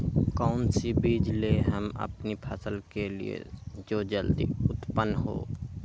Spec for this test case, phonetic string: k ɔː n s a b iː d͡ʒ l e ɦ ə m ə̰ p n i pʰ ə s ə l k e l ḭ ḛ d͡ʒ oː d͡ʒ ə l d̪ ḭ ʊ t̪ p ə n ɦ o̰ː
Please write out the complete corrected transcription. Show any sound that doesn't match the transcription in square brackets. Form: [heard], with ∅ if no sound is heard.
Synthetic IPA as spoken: k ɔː n s [i] b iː d͡ʒ l e ɦ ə m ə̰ p n i pʰ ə s ə l k e l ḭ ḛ d͡ʒ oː d͡ʒ ə l d̪ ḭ ʊ t̪ p ə n ɦ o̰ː